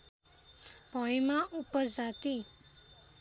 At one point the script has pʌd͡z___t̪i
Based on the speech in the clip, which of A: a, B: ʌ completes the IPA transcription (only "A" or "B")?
A